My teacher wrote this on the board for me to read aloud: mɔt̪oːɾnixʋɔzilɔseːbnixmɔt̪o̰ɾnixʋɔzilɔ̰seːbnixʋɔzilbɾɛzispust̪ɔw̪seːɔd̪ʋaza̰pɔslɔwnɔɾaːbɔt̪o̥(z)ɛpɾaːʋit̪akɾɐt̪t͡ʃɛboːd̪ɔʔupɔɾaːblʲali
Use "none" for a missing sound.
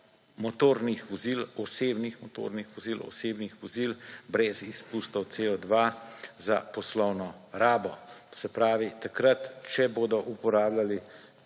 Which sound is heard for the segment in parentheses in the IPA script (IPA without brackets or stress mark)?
s